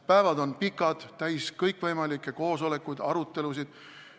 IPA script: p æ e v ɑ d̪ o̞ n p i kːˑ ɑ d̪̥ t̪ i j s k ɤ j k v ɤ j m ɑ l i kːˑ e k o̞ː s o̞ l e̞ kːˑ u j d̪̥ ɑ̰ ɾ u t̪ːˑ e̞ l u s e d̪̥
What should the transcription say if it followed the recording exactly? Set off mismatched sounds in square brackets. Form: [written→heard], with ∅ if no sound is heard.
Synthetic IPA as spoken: p æ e v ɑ d̪ o̞ n p i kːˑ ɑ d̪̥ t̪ [i→æ] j s k ɤ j k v ɤ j m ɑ l i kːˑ e k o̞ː s o̞ l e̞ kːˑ u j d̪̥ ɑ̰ ɾ u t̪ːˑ e̞ l u s [e→i] d̪̥